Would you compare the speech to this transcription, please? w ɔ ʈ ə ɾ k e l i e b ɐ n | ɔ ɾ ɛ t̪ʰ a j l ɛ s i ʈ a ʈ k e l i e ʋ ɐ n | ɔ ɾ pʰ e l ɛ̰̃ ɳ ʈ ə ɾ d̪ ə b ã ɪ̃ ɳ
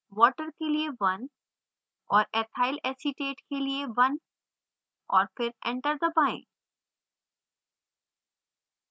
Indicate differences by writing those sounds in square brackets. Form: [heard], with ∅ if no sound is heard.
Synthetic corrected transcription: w ɔ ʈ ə ɾ k e l i e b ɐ n | ɔ ɾ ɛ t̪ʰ a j l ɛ s i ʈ [e] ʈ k e l i e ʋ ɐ n | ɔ ɾ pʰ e [ɾ] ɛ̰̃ ɳ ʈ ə ɾ d̪ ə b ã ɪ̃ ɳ